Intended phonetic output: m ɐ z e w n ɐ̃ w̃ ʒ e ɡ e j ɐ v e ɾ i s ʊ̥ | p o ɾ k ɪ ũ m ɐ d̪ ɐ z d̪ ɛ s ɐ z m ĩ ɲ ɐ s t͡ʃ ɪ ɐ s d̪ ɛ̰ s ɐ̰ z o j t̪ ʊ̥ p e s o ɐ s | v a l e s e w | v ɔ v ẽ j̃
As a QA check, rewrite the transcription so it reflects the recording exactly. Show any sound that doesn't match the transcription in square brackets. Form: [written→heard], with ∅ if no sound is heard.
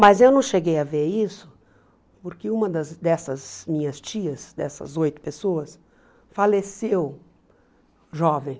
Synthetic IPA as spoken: m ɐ z e w n ɐ̃ w̃ [ʒ→ʃ] e ɡ e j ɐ v e ɾ i s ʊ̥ | p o ɾ k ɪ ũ m ɐ d̪ ɐ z d̪ ɛ s ɐ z m ĩ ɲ ɐ s t͡ʃ [ɪ→i] ɐ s d̪ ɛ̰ s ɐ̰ z o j t̪ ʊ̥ p e s o ɐ s | [v→f] a l e s e w | [v→ʒ] ɔ v ẽ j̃